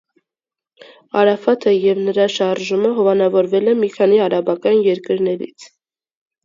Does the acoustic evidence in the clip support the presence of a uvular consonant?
no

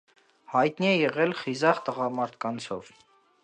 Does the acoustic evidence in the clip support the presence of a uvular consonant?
yes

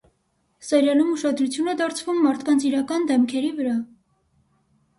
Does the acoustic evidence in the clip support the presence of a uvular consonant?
no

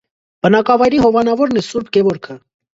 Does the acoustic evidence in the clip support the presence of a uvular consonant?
no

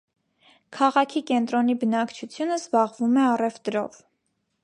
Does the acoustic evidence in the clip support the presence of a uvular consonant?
yes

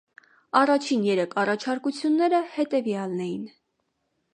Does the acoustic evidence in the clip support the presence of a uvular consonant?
no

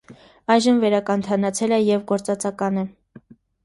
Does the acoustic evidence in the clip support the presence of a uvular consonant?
no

